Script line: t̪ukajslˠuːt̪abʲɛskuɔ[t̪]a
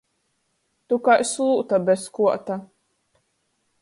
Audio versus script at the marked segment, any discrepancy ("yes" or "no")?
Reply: no